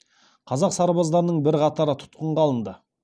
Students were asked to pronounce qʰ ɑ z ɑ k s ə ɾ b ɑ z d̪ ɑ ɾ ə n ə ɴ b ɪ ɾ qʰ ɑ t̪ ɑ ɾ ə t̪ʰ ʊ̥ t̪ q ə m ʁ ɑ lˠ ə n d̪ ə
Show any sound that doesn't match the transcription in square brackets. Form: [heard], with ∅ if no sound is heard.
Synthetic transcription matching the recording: qʰ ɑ z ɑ [q] s [ɑ] ɾ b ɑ z d̪ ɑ ɾ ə n ə ɴ b ɪ ɾ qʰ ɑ t̪ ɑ ɾ ə t̪ʰ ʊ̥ t̪ q ə [ɴ] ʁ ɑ lˠ ə n d̪ ə